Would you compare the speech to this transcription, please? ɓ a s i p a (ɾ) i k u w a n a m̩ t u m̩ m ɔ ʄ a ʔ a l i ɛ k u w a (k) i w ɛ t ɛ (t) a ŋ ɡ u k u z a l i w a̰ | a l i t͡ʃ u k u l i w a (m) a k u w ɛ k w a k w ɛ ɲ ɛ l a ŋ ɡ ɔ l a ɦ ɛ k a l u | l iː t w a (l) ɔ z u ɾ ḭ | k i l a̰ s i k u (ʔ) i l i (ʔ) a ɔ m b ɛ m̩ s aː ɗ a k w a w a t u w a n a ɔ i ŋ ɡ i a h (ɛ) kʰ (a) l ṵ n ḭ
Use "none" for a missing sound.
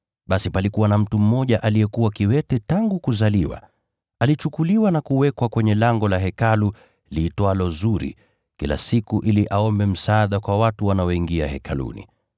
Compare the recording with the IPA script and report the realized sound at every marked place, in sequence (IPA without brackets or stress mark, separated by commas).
l, k, t, n, l, ʔ, ʔ, ɛ, a